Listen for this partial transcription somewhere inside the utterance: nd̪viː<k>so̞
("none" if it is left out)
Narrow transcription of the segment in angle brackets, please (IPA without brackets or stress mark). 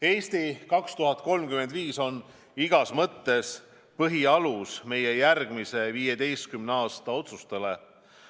none